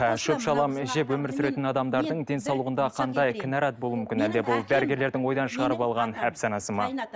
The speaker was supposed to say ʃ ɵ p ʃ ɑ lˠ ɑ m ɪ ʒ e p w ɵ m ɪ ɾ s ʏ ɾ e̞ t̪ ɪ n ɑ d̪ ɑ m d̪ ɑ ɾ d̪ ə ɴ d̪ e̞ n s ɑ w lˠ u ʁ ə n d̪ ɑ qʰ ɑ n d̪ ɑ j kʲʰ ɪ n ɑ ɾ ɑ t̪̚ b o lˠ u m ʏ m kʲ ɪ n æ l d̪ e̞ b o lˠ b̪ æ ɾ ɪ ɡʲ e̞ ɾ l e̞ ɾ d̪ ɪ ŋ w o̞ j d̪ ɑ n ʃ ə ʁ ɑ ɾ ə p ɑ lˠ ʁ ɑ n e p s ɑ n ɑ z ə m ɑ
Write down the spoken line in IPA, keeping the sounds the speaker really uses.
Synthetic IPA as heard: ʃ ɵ p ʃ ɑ lˠ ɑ m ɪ ʒ e p w ɵ m ɪ ɾ s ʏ ɾ e̞ t̪ ɪ n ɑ d̪ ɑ m d̪ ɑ ɾ d̪ ə ɴ d̪ e̞ n s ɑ w lˠ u ʁ ə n d̪ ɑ qʰ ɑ n d̪ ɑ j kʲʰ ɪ n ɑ ɾ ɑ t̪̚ b o lˠ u m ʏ m kʲ ɪ n æ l d̪ e̞ b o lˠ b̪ æ ɾ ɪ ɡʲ e̞ ɾ l e̞ ɾ d̪ ɪ ŋ w o̞ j d̪ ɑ n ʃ ə ʁ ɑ ɾ ə p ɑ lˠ ʁ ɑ n æ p s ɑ n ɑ s ə m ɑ